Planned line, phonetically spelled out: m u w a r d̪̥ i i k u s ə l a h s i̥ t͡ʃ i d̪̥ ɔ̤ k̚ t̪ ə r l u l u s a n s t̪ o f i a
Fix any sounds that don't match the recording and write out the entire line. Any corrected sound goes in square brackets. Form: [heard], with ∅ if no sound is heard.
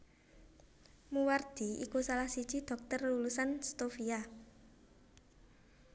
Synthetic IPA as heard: m u w a r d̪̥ i i k u s [a] l a h s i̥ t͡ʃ i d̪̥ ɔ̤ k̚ t̪ ə r l u l u s a n s t̪ o f i a